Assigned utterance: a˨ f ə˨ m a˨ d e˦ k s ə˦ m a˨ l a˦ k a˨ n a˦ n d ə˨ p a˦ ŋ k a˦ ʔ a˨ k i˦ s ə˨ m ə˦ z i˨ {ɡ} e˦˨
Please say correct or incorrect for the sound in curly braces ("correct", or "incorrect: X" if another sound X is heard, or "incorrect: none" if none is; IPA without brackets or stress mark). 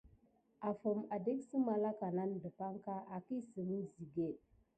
correct